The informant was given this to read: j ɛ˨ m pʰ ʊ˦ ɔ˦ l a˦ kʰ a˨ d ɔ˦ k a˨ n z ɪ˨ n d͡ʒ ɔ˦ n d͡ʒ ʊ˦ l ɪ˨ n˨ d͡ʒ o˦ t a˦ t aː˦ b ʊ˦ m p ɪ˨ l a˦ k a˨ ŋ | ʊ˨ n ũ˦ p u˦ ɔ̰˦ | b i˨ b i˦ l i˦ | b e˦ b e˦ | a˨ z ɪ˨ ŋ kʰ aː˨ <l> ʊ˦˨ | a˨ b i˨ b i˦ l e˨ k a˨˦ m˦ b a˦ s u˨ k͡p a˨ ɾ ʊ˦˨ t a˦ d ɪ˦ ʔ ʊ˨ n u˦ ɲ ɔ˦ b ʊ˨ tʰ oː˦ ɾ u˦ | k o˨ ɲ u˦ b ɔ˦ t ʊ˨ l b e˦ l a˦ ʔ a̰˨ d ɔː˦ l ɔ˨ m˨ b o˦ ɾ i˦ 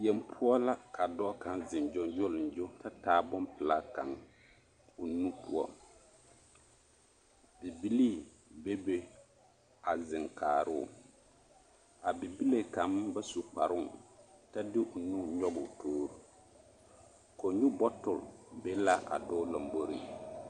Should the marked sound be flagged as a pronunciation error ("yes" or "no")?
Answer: yes